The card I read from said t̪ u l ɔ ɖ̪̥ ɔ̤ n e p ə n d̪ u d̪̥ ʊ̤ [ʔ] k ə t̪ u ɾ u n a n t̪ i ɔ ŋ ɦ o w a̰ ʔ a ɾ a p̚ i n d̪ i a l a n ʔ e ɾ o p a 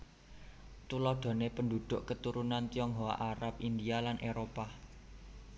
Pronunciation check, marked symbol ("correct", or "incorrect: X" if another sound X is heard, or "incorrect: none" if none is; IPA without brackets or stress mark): correct